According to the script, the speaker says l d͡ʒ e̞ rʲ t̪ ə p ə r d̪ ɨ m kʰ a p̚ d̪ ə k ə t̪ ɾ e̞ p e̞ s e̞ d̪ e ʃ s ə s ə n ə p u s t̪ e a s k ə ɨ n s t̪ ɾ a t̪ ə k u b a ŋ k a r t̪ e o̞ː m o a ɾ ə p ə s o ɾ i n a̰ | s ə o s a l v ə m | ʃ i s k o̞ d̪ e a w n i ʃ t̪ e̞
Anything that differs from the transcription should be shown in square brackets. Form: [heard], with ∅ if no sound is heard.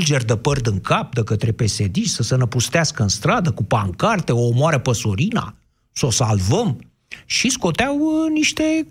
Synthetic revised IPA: l d͡ʒ e̞ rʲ [d̪] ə p ə r d̪ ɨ [ŋ] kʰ a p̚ d̪ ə k ə t̪ ɾ e̞ p e̞ s e̞ d̪ [i] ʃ s ə s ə n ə p u s t̪ e a s k ə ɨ n s t̪ ɾ a [d̪] ə k u [p] a ŋ k a r t̪ e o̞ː m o a ɾ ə p ə s o ɾ i n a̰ | s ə o s a l v ə m | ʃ i s k o̞ [t̪] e a w n i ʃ t̪ e̞